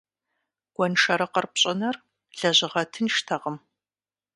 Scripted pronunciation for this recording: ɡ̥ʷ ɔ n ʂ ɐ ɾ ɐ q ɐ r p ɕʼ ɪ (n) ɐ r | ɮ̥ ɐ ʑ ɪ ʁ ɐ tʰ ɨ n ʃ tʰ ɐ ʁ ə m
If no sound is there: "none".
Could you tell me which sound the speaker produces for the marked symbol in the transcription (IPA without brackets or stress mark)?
n